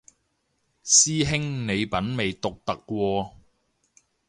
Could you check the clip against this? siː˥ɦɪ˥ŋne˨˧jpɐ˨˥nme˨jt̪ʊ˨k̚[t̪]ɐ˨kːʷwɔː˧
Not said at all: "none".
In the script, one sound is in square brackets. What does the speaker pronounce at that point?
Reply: t̪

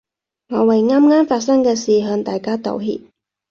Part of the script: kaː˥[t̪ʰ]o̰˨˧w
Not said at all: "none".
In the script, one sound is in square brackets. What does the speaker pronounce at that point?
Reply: t̪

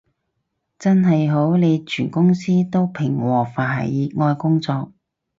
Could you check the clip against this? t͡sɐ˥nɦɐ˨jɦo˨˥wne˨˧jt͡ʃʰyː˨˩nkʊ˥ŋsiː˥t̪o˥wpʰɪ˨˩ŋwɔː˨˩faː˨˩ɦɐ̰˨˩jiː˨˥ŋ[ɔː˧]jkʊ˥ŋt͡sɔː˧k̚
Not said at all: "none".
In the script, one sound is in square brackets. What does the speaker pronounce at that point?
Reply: ɔː˧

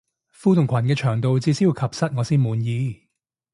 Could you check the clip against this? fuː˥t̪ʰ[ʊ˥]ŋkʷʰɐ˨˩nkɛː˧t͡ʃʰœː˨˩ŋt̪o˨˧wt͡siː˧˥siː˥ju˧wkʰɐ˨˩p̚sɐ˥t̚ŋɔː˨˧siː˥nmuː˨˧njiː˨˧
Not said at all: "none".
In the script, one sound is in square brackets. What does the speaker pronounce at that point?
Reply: ʊ˨˩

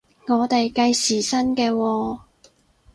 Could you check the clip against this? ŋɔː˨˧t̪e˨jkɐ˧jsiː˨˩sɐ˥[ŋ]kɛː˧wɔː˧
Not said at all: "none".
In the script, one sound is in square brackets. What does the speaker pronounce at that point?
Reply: n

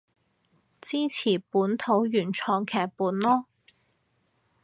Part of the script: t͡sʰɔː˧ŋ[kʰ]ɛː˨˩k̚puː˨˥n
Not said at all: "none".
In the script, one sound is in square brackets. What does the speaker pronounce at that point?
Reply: kʰ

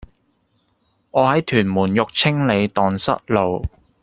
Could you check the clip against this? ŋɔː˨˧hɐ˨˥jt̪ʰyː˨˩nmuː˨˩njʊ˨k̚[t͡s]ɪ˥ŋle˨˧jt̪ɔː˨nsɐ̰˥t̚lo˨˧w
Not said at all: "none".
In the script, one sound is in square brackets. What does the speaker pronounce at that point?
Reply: t͡sʰ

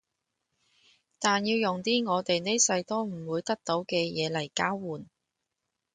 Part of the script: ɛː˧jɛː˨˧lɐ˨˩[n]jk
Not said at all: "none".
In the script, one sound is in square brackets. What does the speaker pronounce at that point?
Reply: none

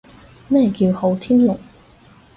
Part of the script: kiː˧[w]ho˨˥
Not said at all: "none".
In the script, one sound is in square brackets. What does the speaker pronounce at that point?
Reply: w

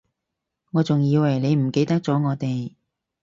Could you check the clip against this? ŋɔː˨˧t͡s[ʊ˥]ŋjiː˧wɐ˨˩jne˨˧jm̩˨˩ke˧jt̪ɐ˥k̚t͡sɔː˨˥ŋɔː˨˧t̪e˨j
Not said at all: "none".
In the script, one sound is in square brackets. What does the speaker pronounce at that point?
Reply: ʊ˨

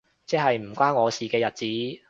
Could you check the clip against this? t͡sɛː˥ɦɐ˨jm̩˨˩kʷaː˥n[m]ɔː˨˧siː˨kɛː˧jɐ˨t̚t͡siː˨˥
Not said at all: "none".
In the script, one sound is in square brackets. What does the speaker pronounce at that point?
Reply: ŋ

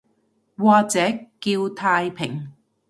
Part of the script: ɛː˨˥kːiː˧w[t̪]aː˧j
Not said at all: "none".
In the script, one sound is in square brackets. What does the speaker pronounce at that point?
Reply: t̪ʰ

